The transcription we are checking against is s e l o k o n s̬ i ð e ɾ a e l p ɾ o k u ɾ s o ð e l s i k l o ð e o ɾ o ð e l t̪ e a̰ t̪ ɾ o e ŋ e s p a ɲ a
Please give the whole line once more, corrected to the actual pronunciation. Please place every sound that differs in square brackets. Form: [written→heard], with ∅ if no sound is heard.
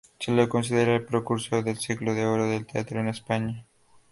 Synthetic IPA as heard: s e l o k o n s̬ i ð e ɾ a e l p ɾ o k u ɾ s o ð e l s i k l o ð e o ɾ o ð e l t̪ e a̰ t̪ ɾ o e [ŋ→n] e s p a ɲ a